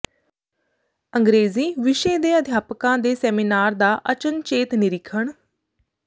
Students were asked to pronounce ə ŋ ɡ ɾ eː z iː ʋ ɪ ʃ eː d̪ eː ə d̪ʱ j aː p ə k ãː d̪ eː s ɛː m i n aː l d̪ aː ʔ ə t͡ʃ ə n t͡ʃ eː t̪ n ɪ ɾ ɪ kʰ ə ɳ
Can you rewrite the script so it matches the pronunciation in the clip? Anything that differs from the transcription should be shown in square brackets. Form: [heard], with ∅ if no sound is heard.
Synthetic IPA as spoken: ə ŋ ɡ ɾ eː z iː ʋ ɪ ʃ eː d̪ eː ə d̪ʱ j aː p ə k ãː d̪ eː s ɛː m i n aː [ɾ] d̪ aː ʔ ə t͡ʃ ə n t͡ʃ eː t̪ n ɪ ɾ ɪ kʰ ə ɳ